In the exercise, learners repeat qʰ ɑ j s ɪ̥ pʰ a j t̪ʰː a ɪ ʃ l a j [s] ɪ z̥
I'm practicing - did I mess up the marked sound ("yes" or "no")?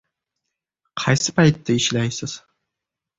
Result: no